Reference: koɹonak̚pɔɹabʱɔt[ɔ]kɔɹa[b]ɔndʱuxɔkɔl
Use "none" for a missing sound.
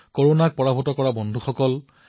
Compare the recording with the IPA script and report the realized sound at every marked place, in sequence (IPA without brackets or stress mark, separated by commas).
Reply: ɔ, b